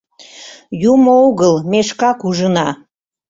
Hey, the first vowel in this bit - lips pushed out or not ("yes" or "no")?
yes